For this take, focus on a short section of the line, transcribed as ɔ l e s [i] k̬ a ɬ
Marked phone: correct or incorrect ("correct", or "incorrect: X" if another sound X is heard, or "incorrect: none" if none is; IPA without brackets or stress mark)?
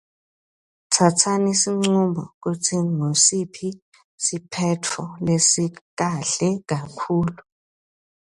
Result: correct